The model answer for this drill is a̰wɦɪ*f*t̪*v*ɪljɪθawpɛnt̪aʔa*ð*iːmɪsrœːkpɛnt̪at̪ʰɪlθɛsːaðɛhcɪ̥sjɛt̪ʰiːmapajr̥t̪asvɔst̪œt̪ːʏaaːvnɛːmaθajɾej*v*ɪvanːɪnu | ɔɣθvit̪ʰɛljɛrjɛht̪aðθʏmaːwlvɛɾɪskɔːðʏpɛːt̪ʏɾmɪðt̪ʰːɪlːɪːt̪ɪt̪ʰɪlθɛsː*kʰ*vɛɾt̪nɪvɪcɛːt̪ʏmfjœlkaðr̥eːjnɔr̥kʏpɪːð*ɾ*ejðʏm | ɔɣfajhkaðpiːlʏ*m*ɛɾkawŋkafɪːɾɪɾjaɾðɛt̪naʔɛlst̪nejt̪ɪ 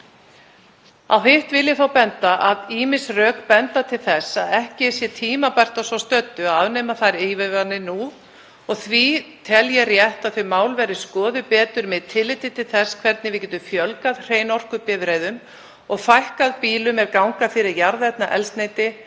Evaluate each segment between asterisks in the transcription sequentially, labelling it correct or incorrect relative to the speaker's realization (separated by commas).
incorrect, correct, correct, correct, correct, correct, correct